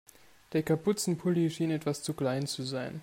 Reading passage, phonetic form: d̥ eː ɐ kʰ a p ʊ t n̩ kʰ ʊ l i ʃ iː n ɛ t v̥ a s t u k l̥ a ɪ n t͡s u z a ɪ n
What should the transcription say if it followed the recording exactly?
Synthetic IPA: d̥ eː ɐ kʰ a p ʊ t͡s n̩ pʰ ʊ l i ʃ iː n ɛ t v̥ a s t͡s u k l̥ a ɪ n t͡s u z a ɪ n